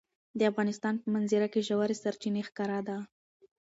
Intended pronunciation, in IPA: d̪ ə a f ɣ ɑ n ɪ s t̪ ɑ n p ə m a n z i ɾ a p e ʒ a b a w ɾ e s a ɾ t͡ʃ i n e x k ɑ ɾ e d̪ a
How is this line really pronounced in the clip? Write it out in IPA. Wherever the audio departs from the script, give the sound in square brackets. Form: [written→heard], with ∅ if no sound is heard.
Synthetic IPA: d̪ ə a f ɣ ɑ n ɪ s t̪ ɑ n p ə m a n z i ɾ a [p→k] e ʒ a [b→w] a [w→∅] ɾ e s a ɾ t͡ʃ i n e x k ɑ ɾ [e→a] d̪ a